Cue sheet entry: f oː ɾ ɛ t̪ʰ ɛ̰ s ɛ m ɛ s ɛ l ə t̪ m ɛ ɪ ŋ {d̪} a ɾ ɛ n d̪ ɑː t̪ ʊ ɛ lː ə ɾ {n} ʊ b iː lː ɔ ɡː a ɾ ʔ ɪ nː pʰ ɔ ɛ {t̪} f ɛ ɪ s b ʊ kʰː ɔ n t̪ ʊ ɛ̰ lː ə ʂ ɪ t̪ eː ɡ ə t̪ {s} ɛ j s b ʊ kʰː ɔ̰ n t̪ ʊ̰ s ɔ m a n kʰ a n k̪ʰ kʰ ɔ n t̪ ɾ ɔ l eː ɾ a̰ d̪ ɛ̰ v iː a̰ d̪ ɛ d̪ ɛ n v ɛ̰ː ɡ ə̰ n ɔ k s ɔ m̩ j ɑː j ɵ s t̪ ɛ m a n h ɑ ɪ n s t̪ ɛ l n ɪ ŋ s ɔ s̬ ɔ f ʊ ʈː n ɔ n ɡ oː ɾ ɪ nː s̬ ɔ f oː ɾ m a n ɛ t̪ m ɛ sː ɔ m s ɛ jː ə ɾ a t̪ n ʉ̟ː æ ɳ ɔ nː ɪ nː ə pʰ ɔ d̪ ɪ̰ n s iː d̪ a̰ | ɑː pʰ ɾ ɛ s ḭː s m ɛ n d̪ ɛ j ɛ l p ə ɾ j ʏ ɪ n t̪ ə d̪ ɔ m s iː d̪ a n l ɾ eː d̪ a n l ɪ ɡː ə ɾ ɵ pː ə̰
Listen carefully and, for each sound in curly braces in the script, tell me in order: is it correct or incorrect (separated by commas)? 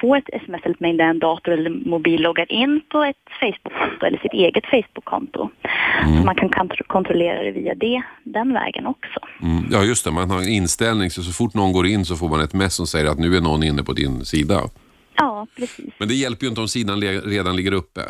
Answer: correct, incorrect, correct, incorrect